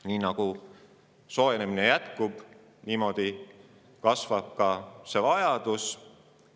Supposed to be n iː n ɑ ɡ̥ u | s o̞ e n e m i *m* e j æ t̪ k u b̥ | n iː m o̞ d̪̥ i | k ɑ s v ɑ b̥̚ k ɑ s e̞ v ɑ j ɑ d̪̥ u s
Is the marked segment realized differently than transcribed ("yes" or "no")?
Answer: yes